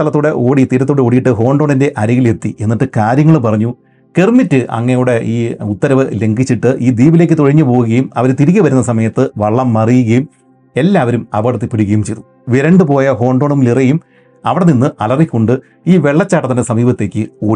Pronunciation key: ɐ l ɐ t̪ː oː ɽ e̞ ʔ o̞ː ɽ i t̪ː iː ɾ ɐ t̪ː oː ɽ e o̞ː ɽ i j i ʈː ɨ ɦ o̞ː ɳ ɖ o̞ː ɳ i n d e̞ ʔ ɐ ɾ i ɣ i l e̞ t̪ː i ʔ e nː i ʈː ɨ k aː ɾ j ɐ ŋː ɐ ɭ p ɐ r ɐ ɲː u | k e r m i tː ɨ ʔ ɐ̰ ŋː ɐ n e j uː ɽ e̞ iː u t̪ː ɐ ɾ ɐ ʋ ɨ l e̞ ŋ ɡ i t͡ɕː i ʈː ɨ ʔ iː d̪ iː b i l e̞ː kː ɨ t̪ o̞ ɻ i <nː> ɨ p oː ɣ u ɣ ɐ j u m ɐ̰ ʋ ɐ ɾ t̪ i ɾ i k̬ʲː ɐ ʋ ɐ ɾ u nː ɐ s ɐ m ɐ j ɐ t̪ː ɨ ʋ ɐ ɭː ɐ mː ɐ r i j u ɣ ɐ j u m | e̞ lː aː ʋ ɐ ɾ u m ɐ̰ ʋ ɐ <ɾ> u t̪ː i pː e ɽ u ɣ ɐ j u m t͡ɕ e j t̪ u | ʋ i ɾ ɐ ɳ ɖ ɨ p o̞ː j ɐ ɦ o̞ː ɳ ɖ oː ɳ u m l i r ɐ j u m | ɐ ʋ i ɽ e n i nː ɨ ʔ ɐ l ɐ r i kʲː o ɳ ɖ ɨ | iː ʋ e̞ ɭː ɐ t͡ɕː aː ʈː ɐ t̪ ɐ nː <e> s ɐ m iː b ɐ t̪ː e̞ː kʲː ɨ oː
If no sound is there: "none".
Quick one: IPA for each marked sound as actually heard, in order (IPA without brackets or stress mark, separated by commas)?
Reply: ɲː, ɽ, e